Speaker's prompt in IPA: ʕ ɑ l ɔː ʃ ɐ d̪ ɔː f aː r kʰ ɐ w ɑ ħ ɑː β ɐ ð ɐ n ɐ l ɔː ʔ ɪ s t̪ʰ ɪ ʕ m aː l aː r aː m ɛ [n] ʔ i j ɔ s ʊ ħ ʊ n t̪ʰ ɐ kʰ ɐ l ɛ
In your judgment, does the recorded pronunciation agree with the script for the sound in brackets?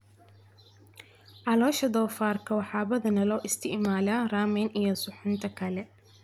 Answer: yes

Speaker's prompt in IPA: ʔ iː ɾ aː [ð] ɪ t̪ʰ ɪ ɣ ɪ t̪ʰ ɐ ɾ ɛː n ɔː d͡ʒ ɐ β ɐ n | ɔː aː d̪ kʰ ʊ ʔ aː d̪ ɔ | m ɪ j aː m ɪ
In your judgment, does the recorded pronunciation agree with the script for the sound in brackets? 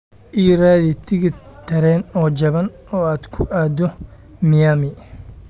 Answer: yes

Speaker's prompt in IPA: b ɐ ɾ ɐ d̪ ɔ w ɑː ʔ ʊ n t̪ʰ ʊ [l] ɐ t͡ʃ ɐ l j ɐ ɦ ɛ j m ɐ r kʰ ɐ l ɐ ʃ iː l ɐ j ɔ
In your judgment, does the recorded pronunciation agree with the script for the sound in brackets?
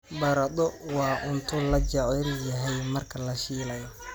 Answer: yes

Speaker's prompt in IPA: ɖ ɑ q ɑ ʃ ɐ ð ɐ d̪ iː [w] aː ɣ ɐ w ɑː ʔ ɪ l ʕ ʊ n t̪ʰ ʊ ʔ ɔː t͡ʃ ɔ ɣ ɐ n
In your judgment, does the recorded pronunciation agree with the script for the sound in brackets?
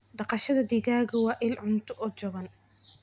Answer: no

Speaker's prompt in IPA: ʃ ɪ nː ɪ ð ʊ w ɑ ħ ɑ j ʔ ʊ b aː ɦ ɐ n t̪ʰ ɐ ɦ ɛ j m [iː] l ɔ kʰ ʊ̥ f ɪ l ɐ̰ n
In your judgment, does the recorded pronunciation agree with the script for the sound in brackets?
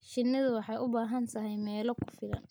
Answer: no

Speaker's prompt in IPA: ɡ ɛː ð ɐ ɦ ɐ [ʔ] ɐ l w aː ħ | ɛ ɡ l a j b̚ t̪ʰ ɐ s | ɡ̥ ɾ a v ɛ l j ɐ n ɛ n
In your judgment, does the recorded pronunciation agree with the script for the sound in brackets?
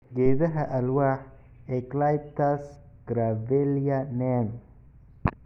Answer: yes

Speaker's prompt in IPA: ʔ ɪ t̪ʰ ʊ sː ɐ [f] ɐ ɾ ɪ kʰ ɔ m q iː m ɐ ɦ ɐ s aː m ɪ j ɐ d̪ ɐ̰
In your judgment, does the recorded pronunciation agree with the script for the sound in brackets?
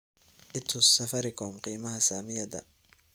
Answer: yes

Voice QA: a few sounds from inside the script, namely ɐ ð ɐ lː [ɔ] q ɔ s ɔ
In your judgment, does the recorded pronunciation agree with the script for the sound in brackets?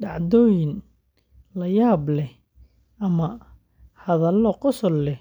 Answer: yes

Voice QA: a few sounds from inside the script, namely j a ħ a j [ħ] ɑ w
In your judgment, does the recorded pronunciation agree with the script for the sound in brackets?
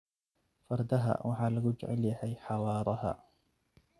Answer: yes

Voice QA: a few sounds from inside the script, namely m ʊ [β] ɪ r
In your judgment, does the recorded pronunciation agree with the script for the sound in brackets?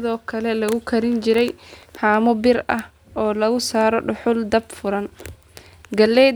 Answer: no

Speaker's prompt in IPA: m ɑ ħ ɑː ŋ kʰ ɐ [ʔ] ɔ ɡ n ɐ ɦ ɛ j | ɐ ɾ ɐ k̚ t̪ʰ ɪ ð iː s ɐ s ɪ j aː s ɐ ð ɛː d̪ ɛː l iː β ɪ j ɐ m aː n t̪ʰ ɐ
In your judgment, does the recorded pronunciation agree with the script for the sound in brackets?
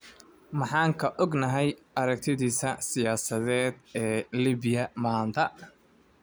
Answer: yes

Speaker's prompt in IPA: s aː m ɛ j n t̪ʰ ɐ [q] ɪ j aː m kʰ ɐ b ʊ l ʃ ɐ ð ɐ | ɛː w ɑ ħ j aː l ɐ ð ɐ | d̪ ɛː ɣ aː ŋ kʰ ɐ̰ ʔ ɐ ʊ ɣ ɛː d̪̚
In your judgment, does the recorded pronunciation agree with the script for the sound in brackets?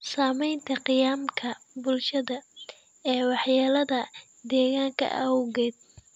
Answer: yes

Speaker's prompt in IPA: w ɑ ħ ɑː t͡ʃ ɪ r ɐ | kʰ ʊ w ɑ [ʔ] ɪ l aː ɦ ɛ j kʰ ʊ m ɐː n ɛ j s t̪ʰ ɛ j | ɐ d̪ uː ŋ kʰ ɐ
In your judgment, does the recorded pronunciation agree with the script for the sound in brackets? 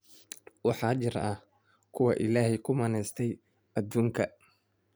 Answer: yes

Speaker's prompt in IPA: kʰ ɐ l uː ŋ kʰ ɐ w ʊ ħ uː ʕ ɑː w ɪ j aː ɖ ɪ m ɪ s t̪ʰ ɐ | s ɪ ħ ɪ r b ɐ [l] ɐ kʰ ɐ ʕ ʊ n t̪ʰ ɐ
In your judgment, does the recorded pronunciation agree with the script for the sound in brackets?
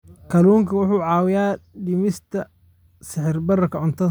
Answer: no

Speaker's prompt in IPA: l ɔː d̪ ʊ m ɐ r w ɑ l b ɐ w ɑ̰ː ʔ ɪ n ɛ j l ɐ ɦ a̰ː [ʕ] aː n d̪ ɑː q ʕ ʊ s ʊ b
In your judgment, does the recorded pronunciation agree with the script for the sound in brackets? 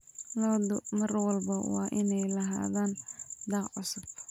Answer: no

